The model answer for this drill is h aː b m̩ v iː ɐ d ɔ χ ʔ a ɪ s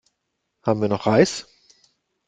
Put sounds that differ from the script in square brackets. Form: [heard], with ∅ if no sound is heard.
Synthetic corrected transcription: h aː b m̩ v iː ɐ [n] ɔ χ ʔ a ɪ s